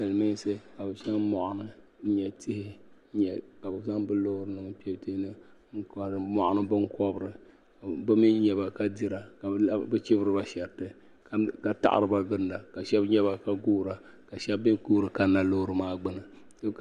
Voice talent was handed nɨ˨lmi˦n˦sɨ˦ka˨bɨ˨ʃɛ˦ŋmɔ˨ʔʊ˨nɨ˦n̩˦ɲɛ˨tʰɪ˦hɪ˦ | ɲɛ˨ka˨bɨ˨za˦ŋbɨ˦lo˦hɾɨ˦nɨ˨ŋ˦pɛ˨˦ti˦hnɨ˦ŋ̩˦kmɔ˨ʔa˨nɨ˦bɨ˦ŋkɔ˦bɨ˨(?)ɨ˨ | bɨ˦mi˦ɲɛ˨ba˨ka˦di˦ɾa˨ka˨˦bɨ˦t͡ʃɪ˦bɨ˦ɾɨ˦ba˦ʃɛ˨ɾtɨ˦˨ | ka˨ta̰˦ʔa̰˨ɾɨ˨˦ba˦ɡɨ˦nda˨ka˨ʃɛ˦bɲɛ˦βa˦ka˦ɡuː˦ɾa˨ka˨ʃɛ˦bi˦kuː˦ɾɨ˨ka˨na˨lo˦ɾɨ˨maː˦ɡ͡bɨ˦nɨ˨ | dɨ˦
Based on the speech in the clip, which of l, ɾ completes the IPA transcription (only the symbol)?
ɾ